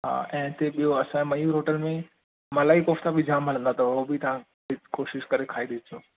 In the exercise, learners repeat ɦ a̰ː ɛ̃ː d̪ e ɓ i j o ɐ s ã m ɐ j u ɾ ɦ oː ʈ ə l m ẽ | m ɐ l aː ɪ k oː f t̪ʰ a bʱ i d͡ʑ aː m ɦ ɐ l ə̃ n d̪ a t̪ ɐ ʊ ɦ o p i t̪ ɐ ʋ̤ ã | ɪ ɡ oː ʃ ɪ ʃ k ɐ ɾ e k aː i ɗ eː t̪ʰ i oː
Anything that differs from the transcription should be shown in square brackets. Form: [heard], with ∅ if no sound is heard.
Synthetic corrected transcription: ɦ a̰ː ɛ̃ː [t̪] e ɓ i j o ɐ s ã m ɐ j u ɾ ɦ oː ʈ ə l m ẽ | m ɐ l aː [i] k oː f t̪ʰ a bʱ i d͡ʑ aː m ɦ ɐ l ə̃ n d̪ a t̪ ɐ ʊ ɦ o [b] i t̪ ɐ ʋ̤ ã | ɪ [k] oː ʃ ɪ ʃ k ɐ ɾ e [kʰ] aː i ɗ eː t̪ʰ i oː

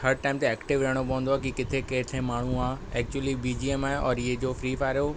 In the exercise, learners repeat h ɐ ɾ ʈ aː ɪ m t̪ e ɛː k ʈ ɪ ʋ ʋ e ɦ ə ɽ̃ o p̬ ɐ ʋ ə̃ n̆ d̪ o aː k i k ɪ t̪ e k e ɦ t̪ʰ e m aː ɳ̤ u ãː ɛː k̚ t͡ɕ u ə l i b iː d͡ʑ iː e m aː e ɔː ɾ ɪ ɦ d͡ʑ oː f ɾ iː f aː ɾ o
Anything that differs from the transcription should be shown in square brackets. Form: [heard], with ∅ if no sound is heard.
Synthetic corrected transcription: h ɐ ɾ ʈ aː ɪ m t̪ e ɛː k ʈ ɪ ʋ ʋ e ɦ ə ɽ̃ o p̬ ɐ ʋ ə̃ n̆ d̪ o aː k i k ɪ [t̪ʰ] e k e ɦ t̪ʰ e m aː ɳ̤ u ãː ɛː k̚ t͡ɕ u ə l i b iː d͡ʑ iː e m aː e ɔː ɾ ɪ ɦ d͡ʑ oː f ɾ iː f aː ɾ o

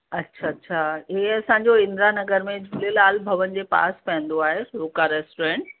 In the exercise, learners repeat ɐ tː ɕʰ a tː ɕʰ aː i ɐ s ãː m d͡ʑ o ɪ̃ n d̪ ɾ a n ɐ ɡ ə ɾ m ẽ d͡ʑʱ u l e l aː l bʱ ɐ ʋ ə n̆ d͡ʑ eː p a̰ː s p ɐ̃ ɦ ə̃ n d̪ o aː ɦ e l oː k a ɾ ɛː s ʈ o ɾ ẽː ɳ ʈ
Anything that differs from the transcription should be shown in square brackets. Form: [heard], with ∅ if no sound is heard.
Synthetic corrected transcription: ɐ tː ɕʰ a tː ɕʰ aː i ɐ s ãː [ɲ] d͡ʑ o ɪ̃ n d̪ ɾ a n ɐ ɡ ə ɾ m ẽ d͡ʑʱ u l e l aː l bʱ ɐ ʋ ə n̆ d͡ʑ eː p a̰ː s p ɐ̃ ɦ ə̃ n d̪ o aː ɦ e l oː k a ɾ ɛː s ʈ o ɾ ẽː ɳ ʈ

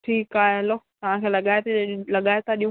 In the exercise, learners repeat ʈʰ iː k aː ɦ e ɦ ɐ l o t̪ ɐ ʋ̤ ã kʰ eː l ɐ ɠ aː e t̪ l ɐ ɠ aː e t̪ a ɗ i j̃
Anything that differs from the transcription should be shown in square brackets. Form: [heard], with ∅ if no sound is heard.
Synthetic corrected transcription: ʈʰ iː k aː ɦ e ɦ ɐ l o t̪ ɐ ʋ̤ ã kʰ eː l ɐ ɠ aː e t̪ l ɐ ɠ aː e t̪ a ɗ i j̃

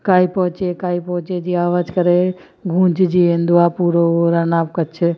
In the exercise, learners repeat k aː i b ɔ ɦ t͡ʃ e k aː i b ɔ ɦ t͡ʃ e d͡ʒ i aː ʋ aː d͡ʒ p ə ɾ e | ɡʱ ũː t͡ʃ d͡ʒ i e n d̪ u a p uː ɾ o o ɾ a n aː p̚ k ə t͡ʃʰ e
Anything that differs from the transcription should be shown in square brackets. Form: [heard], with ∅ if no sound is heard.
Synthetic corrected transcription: k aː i [p] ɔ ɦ t͡ʃ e k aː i [p] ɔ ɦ t͡ʃ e d͡ʒ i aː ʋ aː d͡ʒ [k] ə ɾ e | ɡʱ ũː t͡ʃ d͡ʒ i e n d̪ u a p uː ɾ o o ɾ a n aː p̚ k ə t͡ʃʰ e

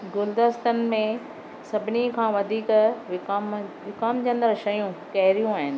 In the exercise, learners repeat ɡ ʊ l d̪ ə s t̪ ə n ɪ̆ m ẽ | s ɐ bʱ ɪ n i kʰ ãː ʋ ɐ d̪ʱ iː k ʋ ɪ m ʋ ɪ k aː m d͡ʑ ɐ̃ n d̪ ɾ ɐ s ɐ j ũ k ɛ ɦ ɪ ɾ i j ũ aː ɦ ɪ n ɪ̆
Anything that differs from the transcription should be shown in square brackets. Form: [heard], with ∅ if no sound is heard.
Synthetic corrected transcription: ɡ ʊ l d̪ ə s t̪ ə n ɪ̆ m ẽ | s ɐ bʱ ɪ n i kʰ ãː ʋ ɐ d̪ʱ iː k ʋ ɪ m ʋ ɪ k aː m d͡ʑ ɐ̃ n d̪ ɾ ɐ [ʃ] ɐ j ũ k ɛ ɦ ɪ ɾ i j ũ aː ɦ ɪ n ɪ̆

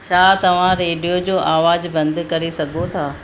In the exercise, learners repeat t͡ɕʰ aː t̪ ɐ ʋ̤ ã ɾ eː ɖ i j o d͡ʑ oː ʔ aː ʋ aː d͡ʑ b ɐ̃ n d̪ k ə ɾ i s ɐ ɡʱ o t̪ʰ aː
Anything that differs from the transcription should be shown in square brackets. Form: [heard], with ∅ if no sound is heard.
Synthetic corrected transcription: t͡ɕʰ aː t̪ ɐ ʋ̤ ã ɾ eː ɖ i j o d͡ʑ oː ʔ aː ʋ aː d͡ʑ b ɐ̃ n d̪ k [ɐ] ɾ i s ɐ ɡʱ o t̪ʰ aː

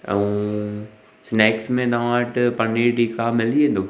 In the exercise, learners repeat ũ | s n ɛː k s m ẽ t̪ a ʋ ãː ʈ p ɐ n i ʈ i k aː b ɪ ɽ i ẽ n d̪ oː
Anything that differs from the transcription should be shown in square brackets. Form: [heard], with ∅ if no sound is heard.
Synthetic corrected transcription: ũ | s n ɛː k s m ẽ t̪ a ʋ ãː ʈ p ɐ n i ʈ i k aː [m] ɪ [l] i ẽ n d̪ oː

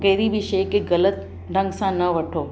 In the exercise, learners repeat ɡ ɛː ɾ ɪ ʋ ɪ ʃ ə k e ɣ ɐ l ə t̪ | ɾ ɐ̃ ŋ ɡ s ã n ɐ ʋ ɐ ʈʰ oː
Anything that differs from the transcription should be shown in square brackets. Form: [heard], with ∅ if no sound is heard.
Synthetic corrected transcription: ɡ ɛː ɾ [i] ʋ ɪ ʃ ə k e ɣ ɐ l ə t̪ | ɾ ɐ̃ ŋ ɡ s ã n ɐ ʋ ɐ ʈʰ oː

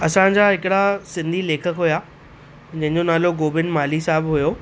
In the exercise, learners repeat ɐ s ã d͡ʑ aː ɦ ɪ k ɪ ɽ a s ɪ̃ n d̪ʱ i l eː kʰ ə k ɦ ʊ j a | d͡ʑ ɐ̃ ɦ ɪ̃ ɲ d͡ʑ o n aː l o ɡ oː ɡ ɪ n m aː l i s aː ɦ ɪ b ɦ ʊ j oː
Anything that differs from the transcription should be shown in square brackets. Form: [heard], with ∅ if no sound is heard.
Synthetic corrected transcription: ɐ s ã d͡ʑ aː ɦ ɪ k ɪ ɽ a s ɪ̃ n d̪ʱ i l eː kʰ ə k ɦ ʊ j a | d͡ʑ ɐ̃ ɦ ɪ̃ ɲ d͡ʑ o n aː l o ɡ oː [b] ɪ n m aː l i s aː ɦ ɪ b ɦ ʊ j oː

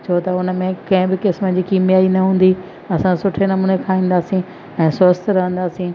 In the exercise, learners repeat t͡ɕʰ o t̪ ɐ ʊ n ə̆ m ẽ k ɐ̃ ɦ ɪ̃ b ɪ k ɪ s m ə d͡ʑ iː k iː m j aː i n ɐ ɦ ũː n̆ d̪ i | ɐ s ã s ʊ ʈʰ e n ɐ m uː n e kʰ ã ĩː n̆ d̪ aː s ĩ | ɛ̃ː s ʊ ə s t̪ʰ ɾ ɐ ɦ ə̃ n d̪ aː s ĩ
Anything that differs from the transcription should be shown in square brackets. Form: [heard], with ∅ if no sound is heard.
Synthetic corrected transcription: t͡ɕʰ o t̪ ɐ ʊ n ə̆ m ẽ k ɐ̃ ɦ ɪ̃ b ɪ k ɪ s m ə d͡ʑ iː k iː m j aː i n ɐ ɦ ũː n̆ d̪ i | ɐ s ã s ʊ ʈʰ e n ɐ m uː n e kʰ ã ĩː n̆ d̪ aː s ĩ | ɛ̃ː s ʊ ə s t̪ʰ ɾ ɐ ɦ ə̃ n d̪ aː s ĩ

